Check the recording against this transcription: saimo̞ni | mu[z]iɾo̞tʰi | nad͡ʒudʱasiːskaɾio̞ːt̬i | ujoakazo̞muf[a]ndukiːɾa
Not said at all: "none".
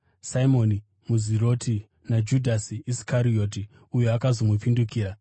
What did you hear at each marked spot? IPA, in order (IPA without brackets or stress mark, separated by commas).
z, i